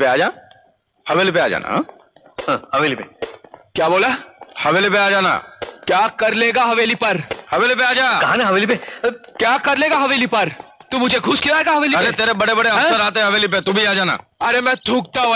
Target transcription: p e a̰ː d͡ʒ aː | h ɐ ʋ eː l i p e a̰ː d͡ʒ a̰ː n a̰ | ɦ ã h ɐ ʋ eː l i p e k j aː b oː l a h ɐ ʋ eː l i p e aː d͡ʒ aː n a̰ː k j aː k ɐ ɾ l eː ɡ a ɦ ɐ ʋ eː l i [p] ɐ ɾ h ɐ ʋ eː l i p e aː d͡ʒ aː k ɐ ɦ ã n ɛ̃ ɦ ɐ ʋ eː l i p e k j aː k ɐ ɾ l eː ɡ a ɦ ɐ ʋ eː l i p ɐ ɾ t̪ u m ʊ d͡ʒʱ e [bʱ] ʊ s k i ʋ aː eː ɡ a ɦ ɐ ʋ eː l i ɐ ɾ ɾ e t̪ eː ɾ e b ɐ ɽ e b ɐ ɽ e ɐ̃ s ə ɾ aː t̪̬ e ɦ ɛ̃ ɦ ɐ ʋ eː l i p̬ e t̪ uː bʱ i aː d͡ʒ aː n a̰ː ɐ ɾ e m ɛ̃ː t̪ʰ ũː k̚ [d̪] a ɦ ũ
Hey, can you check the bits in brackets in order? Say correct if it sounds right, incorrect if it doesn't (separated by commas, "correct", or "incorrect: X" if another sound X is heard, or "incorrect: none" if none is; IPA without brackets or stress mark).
correct, incorrect: ɡʱ, incorrect: t̪